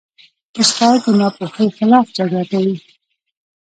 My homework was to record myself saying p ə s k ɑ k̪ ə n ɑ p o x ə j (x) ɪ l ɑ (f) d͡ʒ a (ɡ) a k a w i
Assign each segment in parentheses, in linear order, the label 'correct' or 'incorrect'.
correct, correct, correct

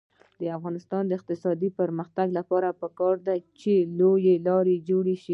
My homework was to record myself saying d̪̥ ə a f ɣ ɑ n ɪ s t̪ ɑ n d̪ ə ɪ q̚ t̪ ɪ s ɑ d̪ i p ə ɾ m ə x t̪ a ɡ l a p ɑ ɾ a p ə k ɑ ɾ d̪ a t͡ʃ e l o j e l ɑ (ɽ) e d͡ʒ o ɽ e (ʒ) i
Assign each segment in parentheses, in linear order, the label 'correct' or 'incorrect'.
incorrect: ɾ, incorrect: ʃ

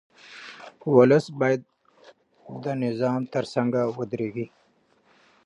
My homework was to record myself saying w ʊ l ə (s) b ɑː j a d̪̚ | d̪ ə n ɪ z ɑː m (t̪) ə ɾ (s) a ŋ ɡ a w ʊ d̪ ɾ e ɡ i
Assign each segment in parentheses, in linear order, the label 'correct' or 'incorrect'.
correct, correct, correct

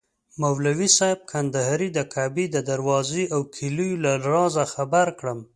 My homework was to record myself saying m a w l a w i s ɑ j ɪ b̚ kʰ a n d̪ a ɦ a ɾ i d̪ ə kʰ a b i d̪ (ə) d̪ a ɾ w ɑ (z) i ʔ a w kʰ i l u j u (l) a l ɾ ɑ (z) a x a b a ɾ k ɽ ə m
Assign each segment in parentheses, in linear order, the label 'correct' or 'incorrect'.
correct, correct, correct, correct

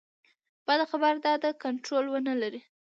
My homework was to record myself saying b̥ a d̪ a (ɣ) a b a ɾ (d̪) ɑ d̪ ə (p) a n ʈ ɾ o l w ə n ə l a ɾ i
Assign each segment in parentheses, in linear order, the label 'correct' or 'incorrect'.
incorrect: x, correct, incorrect: k

